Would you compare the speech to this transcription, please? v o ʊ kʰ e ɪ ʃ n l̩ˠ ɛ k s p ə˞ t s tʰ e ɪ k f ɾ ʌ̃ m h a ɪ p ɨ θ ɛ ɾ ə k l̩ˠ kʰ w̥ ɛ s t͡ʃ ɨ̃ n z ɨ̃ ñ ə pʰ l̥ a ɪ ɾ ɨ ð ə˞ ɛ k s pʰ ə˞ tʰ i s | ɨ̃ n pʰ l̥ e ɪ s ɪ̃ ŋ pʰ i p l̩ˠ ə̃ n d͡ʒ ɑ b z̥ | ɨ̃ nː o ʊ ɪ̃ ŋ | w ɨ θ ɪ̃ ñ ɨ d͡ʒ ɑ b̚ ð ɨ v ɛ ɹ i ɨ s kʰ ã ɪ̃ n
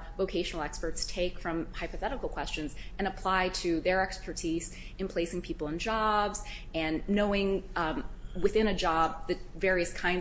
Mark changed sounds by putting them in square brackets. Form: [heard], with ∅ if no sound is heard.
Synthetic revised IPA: v o ʊ kʰ e ɪ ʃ n l̩ˠ ɛ k s p ə˞ t s tʰ e ɪ k f [ɹ] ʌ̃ m h a ɪ p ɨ θ ɛ ɾ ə k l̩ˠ kʰ w̥ ɛ s t͡ʃ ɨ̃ n z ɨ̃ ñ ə pʰ l̥ a ɪ ɾ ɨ ð ə˞ ɛ k s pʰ ə˞ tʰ i [z] | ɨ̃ n pʰ l̥ e ɪ s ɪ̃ ŋ pʰ i p l̩ˠ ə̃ n d͡ʒ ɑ b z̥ | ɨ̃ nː o ʊ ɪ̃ ŋ | w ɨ θ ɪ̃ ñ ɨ d͡ʒ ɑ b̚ ð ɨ v ɛ ɹ i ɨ s kʰ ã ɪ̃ n